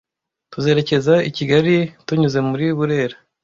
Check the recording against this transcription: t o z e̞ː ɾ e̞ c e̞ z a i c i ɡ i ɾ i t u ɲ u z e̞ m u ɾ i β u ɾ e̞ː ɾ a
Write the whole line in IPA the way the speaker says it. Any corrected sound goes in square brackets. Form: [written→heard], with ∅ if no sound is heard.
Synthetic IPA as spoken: t [o→u] z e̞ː ɾ e̞ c e̞ z a i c i ɡ [i→a] ɾ i t u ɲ u z e̞ m u ɾ i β u ɾ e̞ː ɾ a